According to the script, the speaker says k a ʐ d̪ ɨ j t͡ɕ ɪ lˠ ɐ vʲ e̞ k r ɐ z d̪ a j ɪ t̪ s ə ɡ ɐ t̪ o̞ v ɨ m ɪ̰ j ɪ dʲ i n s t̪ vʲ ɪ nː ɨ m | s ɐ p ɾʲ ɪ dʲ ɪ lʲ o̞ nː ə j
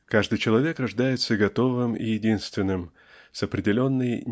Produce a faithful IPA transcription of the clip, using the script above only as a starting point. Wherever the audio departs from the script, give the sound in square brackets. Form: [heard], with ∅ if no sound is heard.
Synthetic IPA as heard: k a ʐ d̪ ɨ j t͡ɕ ɪ lˠ ɐ vʲ e̞ k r ɐ [ʐ] d̪ a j ɪ t̪ s ə ɡ ɐ t̪ o̞ v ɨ m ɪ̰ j ɪ dʲ i n s t̪ vʲ ɪ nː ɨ m | s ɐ p ɾʲ ɪ dʲ ɪ lʲ o̞ nː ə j